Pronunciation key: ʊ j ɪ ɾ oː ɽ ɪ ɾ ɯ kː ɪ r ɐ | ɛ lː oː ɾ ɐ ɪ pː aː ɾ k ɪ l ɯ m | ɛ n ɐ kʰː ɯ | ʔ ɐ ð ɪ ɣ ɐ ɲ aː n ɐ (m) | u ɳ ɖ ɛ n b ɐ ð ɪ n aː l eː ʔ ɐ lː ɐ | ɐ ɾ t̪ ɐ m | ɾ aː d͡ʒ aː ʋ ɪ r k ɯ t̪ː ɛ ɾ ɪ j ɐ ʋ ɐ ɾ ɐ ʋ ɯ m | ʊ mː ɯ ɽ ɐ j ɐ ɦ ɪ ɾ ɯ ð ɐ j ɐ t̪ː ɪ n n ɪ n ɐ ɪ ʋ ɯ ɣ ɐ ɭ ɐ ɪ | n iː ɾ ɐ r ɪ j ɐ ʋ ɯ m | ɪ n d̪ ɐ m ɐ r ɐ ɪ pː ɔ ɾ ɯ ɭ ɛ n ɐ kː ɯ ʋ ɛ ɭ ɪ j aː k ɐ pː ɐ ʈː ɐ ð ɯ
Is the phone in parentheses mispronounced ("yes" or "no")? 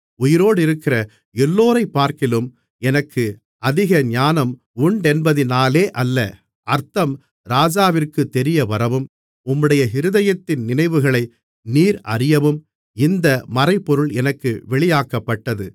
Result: no